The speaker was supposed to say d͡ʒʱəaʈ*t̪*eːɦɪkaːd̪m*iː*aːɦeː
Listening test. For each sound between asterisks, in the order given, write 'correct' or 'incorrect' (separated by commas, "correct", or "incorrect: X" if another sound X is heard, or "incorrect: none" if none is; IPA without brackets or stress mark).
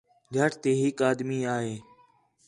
correct, correct